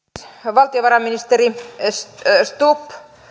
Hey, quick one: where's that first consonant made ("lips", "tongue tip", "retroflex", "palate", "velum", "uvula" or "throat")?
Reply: lips